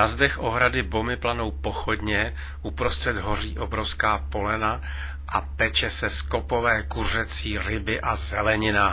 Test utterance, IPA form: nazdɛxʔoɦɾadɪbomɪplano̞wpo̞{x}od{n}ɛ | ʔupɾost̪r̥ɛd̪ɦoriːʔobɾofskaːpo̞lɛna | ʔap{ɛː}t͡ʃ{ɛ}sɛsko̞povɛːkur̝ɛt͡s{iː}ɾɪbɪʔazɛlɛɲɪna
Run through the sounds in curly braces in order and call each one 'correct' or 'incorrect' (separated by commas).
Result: correct, incorrect, incorrect, correct, correct